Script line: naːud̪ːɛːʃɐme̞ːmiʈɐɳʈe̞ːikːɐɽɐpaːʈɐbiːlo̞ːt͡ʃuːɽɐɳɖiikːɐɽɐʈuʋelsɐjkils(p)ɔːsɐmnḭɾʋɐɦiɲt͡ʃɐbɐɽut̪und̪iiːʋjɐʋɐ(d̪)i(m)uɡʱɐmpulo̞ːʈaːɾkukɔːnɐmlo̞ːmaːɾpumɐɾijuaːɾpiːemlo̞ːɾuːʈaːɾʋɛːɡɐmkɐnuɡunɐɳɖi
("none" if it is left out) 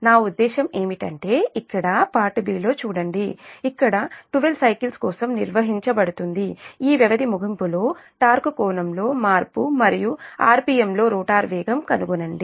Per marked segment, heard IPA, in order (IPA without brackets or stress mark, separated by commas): k, d̪, m